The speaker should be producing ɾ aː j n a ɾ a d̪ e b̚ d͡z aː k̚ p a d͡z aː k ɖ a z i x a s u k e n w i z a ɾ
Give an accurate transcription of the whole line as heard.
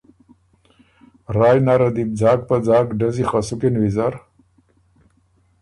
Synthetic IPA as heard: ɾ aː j n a ɾ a d̪ i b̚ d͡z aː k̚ p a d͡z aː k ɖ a z i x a s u k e n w i z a ɾ